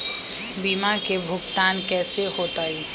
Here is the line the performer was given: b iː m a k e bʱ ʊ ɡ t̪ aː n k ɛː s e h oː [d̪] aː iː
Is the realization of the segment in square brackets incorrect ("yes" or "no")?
yes